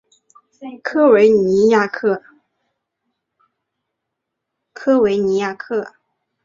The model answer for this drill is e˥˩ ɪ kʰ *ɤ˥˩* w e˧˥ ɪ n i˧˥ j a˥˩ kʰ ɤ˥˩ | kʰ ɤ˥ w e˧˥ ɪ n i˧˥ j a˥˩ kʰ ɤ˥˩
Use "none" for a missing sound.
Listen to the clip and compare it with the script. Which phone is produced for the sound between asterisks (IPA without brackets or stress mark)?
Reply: ɤ˥